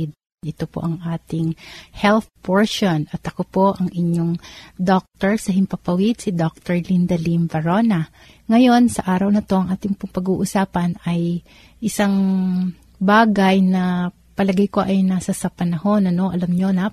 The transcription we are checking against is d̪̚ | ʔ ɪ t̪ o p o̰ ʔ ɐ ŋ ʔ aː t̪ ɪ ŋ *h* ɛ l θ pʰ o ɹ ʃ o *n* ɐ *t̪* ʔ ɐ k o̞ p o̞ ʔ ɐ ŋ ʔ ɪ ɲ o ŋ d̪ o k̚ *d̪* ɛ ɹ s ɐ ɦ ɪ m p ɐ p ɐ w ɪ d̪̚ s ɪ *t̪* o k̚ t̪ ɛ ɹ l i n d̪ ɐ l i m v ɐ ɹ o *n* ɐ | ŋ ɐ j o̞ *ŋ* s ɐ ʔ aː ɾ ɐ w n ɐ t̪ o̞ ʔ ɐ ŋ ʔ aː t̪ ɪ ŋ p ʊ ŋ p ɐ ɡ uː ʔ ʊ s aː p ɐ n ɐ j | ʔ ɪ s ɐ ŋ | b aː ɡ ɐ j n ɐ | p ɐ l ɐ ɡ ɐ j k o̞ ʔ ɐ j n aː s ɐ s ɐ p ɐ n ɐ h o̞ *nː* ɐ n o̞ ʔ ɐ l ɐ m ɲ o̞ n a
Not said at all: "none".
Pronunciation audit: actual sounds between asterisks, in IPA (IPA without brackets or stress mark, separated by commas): h, n, t̪, t̪, d̪, n, n, n